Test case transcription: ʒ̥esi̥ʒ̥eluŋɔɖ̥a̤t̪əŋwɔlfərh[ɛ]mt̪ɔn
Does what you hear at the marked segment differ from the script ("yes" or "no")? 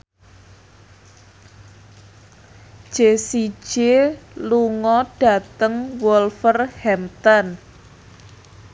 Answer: no